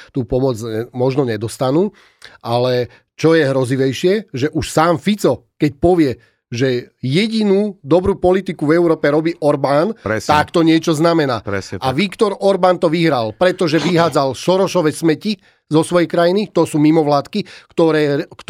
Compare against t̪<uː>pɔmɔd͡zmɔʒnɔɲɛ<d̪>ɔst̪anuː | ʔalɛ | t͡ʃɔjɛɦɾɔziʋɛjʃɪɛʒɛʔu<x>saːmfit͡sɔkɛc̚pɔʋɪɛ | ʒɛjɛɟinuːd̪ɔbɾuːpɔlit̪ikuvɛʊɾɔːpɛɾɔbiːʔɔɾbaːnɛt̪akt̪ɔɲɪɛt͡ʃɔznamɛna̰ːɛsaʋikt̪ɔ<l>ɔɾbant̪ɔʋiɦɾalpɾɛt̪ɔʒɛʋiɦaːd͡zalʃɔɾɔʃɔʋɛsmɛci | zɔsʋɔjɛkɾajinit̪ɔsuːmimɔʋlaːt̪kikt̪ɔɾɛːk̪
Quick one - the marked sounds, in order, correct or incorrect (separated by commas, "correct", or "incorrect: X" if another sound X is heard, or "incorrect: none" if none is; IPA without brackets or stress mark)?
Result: correct, correct, incorrect: ʃ, incorrect: ɾ